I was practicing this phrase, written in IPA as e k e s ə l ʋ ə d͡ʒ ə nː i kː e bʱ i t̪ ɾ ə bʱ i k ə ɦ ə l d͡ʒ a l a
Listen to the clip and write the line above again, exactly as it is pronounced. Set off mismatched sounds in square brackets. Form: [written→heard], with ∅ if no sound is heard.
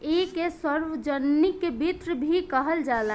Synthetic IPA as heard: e k e s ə [l→ɾ] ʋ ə d͡ʒ ə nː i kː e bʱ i t̪ ɾ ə bʱ i k ə ɦ ə l d͡ʒ a l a